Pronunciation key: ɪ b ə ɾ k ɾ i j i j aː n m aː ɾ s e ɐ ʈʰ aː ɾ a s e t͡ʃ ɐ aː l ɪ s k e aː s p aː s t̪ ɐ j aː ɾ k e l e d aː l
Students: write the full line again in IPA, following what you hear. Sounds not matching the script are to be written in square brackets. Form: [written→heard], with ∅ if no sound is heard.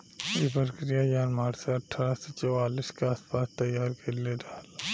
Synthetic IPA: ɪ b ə ɾ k ɾ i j [i→a] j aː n m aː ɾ s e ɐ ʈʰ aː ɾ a s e t͡ʃ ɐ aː l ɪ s k e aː s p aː s t̪ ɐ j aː ɾ k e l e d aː l